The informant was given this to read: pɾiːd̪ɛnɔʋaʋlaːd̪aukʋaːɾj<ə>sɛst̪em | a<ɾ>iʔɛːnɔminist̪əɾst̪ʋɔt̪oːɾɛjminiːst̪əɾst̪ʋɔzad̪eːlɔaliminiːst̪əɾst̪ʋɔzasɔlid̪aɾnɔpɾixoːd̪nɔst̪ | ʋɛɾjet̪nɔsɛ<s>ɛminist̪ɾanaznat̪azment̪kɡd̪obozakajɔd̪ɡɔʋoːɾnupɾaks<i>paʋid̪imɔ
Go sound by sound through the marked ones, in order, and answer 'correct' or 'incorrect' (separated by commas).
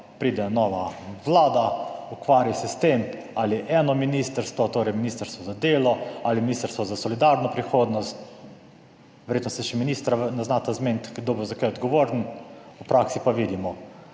incorrect, incorrect, incorrect, correct